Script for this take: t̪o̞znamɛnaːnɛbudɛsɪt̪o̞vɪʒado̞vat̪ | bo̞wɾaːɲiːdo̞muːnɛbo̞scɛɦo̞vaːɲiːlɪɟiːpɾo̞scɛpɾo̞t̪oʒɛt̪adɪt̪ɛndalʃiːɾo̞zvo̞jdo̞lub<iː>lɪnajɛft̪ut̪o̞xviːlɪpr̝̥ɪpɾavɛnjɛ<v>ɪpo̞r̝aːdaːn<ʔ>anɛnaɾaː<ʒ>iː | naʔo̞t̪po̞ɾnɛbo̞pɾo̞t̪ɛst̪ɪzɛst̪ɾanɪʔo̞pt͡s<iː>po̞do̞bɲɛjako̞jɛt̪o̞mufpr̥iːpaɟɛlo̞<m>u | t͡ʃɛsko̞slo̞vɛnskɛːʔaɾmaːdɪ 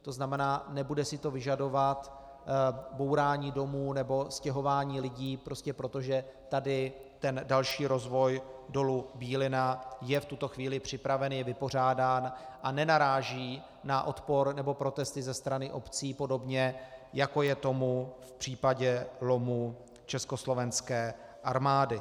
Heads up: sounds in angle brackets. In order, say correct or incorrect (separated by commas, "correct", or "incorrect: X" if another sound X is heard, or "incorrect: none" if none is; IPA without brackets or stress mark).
correct, correct, correct, correct, correct, correct